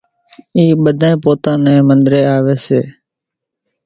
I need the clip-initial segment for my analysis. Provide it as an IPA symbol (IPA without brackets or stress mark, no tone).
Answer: iː